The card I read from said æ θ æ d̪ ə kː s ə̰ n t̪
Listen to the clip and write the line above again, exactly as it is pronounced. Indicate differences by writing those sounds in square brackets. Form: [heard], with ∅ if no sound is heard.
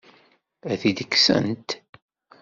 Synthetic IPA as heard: æ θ [i] d̪ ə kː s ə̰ n t̪